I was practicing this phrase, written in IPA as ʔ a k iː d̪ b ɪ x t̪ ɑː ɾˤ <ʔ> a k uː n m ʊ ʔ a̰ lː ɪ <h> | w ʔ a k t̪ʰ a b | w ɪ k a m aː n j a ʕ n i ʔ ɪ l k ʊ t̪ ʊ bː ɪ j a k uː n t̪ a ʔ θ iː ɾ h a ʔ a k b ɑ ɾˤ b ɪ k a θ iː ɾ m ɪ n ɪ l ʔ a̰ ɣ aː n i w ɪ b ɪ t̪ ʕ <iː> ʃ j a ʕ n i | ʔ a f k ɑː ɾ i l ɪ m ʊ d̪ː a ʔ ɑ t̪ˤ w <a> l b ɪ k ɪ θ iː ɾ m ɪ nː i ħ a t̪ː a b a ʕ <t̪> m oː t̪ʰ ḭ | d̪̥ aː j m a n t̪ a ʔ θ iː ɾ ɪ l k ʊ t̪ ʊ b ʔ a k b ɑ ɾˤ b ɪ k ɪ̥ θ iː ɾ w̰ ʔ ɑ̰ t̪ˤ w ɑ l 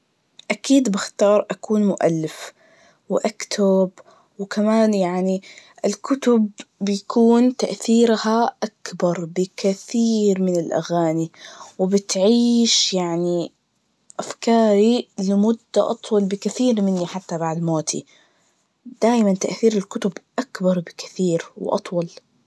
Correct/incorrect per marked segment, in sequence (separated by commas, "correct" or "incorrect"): correct, incorrect, correct, incorrect, incorrect